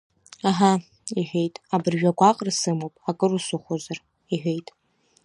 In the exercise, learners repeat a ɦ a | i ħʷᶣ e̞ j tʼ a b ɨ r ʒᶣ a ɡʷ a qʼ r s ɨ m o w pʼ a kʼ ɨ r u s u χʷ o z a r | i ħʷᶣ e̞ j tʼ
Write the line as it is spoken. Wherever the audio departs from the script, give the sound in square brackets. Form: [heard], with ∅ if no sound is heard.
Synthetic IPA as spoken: a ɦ a | i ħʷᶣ e̞ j tʼ a b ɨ r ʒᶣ a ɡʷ a qʼ r s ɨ m o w pʼ a kʼ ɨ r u s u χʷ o z a r | i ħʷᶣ e̞ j tʼ